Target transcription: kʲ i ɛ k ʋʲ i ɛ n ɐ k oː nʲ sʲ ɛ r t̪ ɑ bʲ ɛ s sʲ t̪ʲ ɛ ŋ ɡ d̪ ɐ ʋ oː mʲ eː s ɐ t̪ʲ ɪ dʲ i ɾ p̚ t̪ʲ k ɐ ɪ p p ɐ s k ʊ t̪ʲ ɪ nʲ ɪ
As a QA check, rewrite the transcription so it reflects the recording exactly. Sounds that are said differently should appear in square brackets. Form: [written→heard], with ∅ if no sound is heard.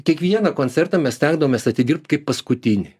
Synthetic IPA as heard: kʲ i ɛ k ʋʲ i ɛ n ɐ k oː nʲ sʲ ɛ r t̪ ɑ [bʲ→mʲ] ɛ s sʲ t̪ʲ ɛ ŋ ɡ d̪ ɐ ʋ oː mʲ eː s ɐ t̪ʲ ɪ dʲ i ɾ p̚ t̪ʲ k ɐ ɪ p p ɐ s k ʊ t̪ʲ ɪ nʲ ɪ